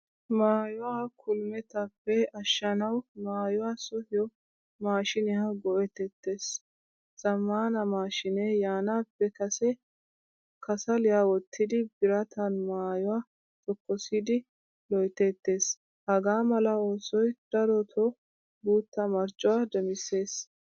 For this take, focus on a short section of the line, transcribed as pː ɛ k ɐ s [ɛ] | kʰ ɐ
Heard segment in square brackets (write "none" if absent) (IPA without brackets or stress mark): ɛ